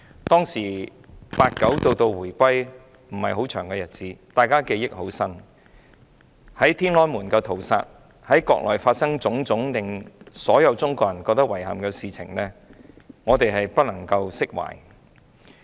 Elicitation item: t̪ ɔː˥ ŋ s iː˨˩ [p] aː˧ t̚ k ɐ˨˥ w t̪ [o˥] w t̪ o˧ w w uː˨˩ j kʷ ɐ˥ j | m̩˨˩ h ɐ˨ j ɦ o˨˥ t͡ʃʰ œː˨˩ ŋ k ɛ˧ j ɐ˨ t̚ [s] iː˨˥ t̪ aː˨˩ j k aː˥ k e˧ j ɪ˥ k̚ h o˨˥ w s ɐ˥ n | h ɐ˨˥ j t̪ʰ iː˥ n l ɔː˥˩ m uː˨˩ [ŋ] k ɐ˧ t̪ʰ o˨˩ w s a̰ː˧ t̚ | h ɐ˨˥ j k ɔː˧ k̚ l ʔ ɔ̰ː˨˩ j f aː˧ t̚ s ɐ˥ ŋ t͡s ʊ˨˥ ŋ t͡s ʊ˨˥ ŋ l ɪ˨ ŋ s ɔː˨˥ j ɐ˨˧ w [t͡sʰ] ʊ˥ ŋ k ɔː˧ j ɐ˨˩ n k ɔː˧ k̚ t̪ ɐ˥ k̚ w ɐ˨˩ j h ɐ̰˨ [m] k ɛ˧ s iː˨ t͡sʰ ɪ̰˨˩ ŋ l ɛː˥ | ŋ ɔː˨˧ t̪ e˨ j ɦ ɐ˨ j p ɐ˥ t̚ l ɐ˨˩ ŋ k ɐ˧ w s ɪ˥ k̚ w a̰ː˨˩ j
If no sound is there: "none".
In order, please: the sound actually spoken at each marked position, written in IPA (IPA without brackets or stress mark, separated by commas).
p, o˧, t͡s, n, t͡s, m